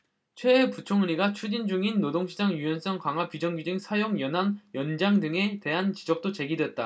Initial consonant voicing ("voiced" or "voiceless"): voiceless